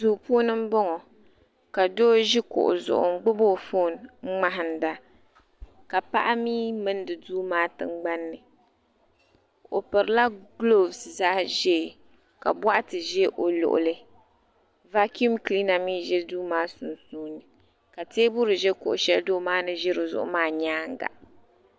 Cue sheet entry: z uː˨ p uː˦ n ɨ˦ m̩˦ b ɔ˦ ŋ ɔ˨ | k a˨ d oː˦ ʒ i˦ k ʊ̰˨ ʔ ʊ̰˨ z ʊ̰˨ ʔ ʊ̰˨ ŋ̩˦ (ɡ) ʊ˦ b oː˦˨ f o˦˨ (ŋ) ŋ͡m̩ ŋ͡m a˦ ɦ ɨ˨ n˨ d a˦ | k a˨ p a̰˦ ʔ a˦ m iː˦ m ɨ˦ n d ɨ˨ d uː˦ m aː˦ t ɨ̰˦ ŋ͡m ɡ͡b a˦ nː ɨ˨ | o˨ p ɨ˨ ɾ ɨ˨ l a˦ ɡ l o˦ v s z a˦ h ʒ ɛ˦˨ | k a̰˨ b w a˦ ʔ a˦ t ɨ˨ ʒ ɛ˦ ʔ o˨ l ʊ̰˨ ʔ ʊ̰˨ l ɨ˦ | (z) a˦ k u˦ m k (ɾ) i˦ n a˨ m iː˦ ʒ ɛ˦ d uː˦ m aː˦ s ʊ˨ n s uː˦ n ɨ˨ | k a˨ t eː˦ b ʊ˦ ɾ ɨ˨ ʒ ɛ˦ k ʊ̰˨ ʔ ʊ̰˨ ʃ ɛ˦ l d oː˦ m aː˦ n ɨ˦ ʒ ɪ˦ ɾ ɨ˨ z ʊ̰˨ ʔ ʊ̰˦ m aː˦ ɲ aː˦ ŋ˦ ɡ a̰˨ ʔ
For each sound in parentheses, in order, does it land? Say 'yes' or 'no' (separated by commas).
no, no, no, no